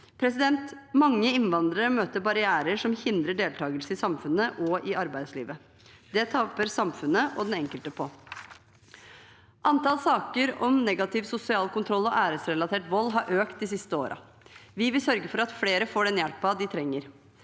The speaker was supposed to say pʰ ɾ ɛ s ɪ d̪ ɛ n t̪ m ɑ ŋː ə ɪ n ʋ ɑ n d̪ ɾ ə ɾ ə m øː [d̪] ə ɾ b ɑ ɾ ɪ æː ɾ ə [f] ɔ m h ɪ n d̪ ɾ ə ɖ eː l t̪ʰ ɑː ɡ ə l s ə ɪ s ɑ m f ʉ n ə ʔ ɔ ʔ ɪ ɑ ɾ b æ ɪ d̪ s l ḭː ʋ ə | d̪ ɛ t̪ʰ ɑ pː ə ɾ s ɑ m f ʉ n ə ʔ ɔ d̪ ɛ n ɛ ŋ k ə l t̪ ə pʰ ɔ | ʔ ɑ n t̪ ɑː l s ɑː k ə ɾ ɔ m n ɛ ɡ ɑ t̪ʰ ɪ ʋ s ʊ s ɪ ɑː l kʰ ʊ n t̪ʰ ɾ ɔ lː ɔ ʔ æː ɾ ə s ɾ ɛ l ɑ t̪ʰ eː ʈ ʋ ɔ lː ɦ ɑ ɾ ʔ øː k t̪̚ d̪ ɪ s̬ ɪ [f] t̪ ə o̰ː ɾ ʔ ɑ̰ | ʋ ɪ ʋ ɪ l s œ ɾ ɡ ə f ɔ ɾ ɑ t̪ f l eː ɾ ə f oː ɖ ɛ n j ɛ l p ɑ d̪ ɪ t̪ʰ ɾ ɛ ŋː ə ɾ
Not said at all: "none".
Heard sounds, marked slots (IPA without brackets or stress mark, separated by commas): t̪, ʂ, s